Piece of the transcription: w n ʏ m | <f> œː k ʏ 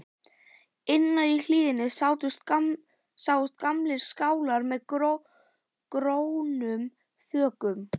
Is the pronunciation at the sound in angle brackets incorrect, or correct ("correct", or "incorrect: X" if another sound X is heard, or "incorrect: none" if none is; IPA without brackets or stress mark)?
incorrect: θ